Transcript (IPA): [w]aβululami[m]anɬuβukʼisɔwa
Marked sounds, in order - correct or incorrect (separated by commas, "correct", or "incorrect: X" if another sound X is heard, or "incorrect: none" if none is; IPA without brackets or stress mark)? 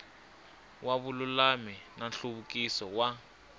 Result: correct, incorrect: n